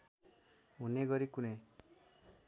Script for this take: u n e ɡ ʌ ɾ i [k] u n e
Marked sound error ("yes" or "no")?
no